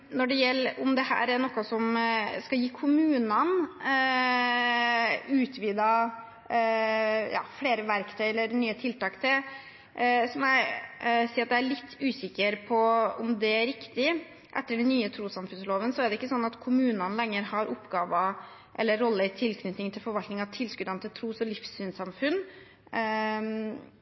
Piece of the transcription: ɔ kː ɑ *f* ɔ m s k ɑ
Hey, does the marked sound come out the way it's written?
no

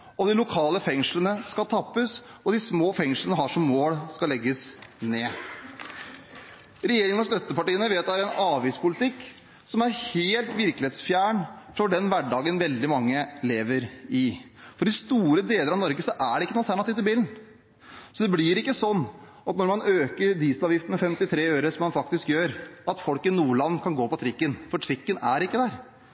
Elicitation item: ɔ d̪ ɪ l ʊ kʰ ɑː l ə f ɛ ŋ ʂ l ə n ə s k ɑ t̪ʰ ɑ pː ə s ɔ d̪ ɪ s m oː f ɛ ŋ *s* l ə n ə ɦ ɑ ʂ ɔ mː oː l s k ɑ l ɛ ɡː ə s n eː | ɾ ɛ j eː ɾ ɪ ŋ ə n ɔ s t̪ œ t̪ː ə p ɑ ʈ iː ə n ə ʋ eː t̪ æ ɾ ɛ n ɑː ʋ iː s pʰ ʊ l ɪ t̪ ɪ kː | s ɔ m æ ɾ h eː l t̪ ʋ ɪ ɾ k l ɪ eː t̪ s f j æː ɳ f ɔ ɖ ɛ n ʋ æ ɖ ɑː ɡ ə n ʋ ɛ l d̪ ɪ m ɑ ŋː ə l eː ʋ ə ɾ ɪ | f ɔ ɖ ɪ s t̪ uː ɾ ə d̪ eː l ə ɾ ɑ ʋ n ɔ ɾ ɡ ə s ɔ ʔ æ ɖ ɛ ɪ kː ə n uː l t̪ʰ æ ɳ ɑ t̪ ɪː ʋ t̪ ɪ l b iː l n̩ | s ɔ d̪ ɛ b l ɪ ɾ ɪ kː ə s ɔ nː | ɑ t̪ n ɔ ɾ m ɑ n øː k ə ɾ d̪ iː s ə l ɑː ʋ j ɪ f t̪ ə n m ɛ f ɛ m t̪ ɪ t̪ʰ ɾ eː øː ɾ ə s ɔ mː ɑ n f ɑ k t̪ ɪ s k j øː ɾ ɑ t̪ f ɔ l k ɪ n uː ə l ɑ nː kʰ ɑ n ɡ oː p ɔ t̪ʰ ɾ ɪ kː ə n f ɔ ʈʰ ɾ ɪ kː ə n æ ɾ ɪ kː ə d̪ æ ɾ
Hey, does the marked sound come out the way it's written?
no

